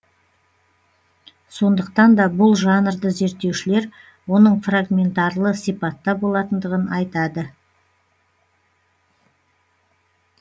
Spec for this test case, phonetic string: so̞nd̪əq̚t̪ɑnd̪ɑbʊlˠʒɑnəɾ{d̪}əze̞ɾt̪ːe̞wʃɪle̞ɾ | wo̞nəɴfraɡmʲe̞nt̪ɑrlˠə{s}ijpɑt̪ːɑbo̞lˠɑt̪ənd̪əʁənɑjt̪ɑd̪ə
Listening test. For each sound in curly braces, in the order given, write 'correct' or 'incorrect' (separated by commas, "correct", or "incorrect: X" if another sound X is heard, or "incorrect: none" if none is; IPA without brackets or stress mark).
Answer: correct, correct